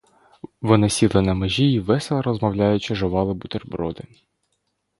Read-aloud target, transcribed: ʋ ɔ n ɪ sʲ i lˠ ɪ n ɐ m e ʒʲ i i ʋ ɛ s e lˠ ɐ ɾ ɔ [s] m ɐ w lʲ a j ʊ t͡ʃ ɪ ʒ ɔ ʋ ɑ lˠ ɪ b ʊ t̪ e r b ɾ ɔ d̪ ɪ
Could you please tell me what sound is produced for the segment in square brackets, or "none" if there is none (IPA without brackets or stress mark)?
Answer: z